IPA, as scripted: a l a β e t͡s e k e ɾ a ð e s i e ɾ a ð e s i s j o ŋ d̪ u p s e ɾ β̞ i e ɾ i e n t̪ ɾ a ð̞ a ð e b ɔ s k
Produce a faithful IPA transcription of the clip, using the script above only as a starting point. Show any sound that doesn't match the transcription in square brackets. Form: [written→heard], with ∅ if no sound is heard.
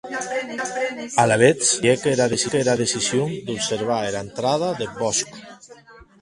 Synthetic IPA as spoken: a l a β e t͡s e k e ɾ a ð e s i e ɾ a ð e s i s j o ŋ d̪ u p s e ɾ β̞ [i→a] e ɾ [i→a] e n t̪ ɾ a ð̞ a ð e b ɔ s k